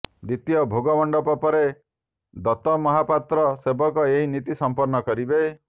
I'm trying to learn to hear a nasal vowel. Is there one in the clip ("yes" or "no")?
no